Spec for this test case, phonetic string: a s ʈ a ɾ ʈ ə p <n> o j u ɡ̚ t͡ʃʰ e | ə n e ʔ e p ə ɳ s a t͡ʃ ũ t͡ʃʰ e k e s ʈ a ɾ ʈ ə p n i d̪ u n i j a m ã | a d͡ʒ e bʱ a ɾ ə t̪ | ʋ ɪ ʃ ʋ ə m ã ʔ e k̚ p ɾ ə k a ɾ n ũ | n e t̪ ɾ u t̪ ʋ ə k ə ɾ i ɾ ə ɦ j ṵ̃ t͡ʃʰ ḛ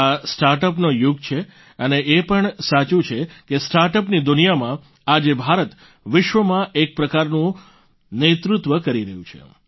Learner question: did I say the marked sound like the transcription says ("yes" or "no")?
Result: yes